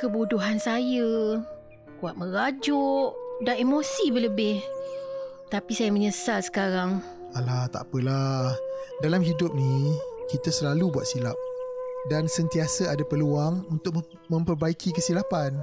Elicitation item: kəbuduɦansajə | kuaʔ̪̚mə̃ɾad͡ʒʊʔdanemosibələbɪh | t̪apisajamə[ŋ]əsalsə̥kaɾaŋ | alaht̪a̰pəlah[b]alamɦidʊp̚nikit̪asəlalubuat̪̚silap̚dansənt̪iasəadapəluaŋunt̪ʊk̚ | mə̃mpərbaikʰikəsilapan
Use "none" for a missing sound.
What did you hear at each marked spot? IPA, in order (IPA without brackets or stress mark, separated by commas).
ɲ, d